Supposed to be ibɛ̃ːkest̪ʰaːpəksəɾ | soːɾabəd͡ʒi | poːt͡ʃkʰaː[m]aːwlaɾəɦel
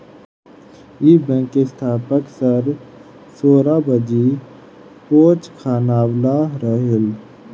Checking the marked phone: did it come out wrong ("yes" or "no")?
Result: yes